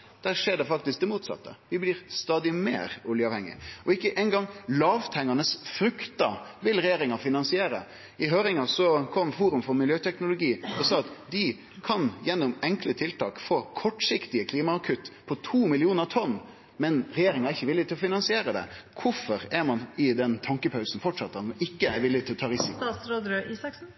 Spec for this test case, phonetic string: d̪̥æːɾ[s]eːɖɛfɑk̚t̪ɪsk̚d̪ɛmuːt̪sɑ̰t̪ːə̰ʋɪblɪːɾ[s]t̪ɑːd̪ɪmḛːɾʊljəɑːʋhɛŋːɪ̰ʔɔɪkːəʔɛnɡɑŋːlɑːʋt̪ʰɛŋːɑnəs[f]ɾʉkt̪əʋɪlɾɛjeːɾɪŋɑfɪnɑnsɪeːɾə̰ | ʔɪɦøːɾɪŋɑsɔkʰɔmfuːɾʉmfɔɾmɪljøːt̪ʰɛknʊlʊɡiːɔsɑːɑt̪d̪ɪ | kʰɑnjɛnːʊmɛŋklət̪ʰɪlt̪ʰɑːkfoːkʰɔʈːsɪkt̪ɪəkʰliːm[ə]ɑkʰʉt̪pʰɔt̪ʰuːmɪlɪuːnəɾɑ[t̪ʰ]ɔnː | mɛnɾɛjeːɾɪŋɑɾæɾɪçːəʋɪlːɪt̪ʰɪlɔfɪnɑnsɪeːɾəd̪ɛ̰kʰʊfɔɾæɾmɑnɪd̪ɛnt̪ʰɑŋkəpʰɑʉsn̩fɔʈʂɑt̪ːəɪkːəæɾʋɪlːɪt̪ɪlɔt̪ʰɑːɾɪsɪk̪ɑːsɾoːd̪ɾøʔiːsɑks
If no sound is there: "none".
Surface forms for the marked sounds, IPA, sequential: ʂ, s, f, ɑ, t̪ʰ

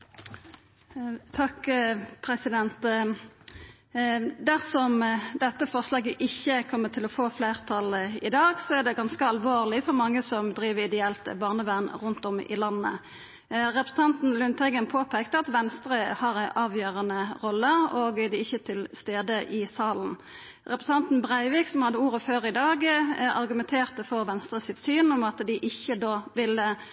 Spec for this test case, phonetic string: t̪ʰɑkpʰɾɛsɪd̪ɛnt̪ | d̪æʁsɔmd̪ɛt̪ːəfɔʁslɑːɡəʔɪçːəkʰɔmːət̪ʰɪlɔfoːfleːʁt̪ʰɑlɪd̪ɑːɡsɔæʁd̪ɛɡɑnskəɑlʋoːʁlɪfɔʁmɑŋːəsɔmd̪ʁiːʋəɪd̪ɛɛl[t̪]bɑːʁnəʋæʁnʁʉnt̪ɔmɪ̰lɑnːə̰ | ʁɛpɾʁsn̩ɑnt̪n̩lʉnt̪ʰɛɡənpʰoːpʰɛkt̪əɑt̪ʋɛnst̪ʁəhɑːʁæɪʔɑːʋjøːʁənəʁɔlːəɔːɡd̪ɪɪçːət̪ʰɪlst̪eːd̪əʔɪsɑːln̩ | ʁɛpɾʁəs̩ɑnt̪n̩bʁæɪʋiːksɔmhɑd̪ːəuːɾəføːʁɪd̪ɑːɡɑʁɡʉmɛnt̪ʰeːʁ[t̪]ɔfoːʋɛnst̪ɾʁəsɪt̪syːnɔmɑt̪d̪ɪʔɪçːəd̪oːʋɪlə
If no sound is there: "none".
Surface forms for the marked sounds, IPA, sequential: t̪, t̪

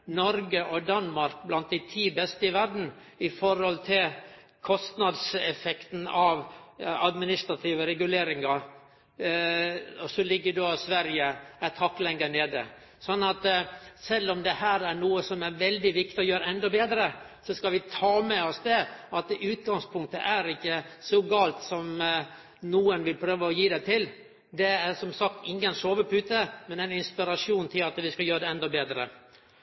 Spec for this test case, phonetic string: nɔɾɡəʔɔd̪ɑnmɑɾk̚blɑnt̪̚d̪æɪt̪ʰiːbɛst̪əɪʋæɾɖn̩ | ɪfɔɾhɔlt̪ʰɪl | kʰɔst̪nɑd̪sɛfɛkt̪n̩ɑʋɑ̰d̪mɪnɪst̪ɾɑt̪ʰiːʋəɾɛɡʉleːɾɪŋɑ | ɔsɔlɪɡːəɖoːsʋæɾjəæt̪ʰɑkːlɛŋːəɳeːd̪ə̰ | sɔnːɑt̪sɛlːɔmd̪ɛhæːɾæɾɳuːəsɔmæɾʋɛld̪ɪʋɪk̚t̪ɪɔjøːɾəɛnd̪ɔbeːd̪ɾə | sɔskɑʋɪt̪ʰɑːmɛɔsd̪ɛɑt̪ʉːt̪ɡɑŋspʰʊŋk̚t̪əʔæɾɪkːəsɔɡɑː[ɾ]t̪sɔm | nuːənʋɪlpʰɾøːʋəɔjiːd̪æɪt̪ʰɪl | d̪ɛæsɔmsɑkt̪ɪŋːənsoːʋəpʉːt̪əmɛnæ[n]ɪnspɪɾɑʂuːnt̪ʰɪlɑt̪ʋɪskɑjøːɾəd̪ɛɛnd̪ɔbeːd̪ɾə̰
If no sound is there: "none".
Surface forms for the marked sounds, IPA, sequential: l, n

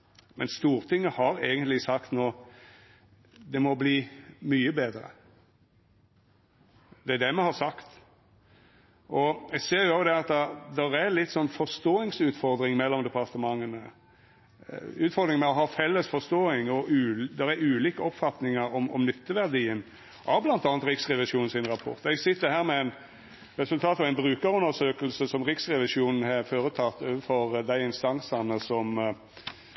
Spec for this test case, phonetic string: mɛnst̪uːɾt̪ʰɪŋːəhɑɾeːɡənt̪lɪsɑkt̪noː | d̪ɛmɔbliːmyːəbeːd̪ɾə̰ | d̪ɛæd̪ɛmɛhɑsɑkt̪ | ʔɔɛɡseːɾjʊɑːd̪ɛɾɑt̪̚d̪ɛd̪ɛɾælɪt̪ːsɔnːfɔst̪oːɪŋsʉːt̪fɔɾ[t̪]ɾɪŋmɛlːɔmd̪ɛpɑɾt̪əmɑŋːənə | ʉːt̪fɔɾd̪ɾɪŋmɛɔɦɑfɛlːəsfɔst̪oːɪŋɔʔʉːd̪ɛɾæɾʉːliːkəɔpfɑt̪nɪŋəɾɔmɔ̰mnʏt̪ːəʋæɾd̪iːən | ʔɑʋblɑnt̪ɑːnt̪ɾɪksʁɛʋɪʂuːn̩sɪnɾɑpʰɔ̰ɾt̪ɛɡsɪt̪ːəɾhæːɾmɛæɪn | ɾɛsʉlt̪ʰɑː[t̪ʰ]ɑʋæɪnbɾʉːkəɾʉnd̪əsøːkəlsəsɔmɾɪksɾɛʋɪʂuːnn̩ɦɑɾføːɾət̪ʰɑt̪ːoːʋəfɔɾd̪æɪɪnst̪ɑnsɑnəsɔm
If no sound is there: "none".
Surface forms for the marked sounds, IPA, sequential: d̪, t̪

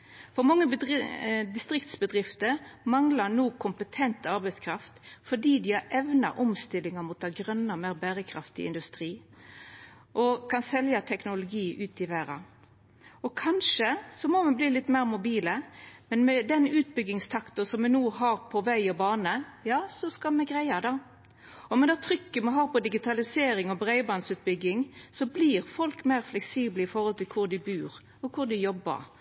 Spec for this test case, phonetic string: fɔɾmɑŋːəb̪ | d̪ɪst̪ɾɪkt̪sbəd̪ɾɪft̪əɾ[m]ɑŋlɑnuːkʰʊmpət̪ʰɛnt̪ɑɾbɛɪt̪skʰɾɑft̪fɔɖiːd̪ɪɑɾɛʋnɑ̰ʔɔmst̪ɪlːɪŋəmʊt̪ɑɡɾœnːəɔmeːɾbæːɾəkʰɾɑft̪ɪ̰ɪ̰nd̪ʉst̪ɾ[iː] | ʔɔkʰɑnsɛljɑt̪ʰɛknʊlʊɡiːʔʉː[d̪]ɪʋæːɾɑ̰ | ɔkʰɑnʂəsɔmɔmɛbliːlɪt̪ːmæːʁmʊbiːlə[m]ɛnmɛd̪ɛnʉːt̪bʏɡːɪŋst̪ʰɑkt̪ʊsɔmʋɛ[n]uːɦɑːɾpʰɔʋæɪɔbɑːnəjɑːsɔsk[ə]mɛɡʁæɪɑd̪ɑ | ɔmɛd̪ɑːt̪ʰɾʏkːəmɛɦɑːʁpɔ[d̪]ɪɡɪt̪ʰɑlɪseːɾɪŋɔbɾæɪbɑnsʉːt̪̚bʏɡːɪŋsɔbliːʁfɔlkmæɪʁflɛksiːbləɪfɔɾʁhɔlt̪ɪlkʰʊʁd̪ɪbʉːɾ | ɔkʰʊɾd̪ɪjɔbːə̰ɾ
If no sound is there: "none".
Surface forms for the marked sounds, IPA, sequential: m, iː, t̪, m, n, ɑ, d̪

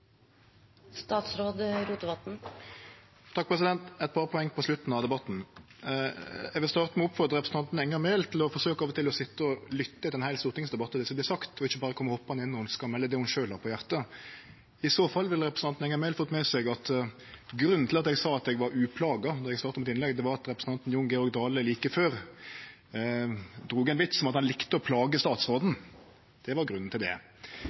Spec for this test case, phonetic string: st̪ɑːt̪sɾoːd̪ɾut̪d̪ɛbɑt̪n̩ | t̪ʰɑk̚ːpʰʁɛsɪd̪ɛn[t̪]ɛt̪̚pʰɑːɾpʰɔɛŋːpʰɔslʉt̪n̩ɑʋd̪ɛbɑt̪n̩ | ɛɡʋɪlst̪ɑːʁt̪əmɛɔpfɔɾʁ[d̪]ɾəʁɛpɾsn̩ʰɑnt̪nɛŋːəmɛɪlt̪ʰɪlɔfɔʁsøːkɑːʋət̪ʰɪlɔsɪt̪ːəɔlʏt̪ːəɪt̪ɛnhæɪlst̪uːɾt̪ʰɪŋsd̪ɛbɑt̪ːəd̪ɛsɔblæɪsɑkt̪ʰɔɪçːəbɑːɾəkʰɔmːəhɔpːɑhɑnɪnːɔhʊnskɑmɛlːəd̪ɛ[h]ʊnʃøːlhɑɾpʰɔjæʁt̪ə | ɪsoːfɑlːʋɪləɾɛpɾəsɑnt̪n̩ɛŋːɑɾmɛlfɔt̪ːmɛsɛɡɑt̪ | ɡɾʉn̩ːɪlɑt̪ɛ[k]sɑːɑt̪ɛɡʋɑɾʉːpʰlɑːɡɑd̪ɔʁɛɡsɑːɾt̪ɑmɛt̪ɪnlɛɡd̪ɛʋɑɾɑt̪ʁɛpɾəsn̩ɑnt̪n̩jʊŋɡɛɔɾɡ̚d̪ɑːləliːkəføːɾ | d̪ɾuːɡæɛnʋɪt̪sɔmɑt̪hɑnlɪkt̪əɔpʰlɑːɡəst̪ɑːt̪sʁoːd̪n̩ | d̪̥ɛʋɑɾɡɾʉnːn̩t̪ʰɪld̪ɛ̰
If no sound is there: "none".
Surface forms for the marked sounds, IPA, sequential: t̪, d̪, h, ɡ

